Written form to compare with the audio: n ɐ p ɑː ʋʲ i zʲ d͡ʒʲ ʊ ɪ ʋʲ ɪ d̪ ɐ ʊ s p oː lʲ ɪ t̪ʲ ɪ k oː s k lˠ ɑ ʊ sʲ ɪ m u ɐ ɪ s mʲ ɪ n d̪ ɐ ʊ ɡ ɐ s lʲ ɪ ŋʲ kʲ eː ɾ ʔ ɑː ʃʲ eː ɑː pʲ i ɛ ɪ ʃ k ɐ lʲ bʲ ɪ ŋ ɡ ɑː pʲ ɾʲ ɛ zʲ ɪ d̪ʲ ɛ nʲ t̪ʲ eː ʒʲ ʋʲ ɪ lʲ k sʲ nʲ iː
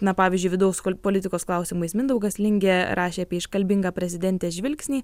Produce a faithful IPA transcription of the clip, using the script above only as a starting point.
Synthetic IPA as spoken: n ɐ p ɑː ʋʲ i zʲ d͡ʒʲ ʊ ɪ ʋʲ ɪ d̪ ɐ ʊ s p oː lʲ ɪ t̪ʲ ɪ k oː s k lˠ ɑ ʊ sʲ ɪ m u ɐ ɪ s mʲ ɪ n d̪ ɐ ʊ ɡ ɐ s lʲ ɪ ŋʲ ɡʲ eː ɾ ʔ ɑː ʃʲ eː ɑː pʲ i ɛ ɪ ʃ k ɐ lʲ bʲ ɪ ŋ ɡ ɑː pʲ ɾʲ ɛ zʲ ɪ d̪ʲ ɛ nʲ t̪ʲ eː ʒʲ ʋʲ ɪ lʲ k sʲ nʲ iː